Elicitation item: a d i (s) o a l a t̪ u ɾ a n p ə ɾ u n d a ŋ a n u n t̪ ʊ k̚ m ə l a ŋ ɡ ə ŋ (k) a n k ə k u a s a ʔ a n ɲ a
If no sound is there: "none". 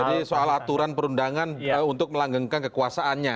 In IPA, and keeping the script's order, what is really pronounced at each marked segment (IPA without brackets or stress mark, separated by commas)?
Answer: s, k